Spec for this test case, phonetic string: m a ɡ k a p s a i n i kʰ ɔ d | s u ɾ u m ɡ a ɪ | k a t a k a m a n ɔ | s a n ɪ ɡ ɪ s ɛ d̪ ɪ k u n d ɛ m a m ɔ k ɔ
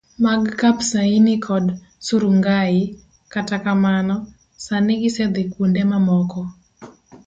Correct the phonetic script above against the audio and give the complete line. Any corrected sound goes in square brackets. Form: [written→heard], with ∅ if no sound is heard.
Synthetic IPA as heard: m a ɡ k a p s a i n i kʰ ɔ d | s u ɾ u [m→ŋ] ɡ a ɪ | k a t a k a m a n ɔ | s a n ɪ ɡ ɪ s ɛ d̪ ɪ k u n d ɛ m a m ɔ k ɔ